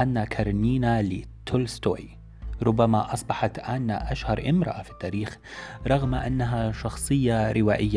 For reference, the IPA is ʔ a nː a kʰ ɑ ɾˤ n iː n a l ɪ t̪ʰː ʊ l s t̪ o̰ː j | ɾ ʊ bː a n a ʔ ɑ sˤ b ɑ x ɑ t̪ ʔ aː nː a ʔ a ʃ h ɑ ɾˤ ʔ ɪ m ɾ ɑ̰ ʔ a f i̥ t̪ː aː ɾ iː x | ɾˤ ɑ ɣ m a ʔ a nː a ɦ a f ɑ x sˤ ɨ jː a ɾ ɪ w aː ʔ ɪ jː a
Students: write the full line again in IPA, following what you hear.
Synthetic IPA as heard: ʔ a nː a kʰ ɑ ɾˤ n iː n a l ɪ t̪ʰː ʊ l s t̪ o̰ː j | ɾ ʊ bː a m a ʔ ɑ sˤ b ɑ ħ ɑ t̪ ʔ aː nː a ʔ a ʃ h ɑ ɾˤ ʔ ɪ m ɾ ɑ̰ ʔ a f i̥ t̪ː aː ɾ iː x | ɾˤ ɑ ɣ m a ʔ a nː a ɦ a ʃ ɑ x sˤ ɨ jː a ɾ ɪ w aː ʔ ɪ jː a